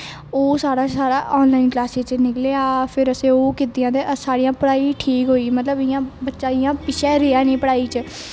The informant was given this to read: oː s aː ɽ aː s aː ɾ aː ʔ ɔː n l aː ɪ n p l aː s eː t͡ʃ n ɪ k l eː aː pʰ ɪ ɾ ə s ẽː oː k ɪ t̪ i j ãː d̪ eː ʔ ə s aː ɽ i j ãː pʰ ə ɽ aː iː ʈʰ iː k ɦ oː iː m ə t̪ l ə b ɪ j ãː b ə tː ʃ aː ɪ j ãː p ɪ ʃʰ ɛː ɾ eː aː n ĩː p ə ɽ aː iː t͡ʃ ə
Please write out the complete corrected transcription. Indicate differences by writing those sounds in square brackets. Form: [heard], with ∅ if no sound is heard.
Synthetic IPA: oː s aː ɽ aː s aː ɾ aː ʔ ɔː n l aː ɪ n [k] l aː s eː t͡ʃ n ɪ k l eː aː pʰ ɪ ɾ ə s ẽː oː k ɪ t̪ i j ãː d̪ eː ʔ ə s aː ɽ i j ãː [p] ə ɽ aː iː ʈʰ iː k ɦ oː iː m ə t̪ l ə b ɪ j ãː b ə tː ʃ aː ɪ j ãː p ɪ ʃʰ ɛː ɾ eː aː n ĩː p ə ɽ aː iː t͡ʃ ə